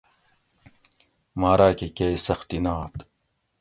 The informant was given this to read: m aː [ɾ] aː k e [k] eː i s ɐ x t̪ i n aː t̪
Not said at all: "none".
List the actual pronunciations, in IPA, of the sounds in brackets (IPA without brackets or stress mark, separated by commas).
ɾ, k